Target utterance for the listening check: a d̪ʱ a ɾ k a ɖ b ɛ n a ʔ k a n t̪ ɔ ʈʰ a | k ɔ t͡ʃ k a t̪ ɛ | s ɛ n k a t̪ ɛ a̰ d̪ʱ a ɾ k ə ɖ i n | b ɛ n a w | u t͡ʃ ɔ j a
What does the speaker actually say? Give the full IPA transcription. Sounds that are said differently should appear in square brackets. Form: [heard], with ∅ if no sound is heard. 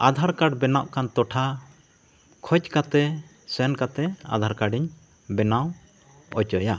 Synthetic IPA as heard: a d̪ʱ a ɾ k a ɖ b ɛ n a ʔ k a n t̪ ɔ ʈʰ a | [kʰ] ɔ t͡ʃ k a t̪ ɛ | s ɛ n k a t̪ ɛ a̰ d̪ʱ a ɾ k [a] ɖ i [ɲ] | b ɛ n a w | [ɔ] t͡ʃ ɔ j a